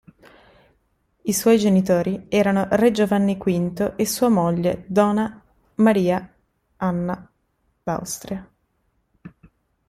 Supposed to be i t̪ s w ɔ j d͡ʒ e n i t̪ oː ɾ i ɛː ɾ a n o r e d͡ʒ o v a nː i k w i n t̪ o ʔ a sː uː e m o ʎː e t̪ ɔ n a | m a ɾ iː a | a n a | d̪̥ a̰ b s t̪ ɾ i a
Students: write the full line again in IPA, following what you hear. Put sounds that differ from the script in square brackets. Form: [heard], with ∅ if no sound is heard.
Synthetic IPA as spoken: i [∅] s w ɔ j d͡ʒ e n i t̪ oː ɾ i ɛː ɾ a n o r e d͡ʒ o v a nː i k w i n t̪ o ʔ [e] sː uː [a] m o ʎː e [d̪] ɔ n a | m a ɾ iː a | a [nː] a | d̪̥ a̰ [w] s t̪ ɾ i a